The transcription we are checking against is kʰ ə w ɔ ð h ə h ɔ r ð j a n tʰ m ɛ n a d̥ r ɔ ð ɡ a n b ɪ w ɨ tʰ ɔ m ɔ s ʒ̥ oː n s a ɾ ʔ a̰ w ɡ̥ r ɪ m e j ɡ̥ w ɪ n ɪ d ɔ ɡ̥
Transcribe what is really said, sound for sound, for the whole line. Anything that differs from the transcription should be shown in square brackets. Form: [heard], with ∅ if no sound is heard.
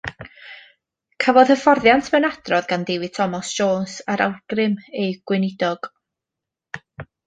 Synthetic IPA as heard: kʰ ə [v] ɔ ð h ə [f] ɔ r ð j a n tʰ m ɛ n a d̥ r ɔ ð ɡ a n [d] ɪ w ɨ tʰ ɔ m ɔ s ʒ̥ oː n s a ɾ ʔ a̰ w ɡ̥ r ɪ m e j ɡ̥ w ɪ n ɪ d ɔ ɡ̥